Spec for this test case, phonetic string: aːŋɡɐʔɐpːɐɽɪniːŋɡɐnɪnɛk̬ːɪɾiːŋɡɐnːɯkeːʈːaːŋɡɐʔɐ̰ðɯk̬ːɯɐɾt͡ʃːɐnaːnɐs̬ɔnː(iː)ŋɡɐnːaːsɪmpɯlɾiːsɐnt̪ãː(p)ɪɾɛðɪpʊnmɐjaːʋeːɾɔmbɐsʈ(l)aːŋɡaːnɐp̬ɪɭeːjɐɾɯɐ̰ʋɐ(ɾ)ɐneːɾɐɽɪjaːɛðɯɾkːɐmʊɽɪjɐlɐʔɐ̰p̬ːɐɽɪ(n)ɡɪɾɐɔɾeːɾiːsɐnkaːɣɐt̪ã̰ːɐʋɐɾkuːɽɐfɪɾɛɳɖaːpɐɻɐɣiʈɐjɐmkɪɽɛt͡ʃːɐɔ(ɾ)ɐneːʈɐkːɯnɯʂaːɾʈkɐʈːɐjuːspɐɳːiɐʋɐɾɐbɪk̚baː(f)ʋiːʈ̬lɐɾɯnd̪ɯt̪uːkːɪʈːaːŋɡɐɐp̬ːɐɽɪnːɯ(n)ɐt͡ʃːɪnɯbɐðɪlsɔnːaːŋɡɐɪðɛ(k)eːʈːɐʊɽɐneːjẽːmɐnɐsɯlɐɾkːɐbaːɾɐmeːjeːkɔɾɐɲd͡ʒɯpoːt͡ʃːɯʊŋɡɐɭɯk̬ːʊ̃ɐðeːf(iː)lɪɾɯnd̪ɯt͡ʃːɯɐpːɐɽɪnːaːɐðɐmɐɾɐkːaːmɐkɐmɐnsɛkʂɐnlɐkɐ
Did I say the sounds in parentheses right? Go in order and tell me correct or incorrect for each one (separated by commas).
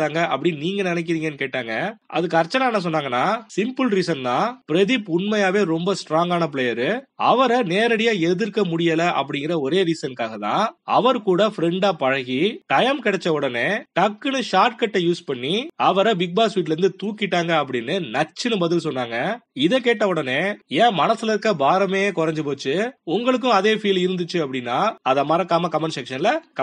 incorrect, correct, incorrect, correct, incorrect, incorrect, incorrect, correct, correct, correct